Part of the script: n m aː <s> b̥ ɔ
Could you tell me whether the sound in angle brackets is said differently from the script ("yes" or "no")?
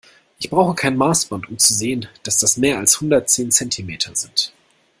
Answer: no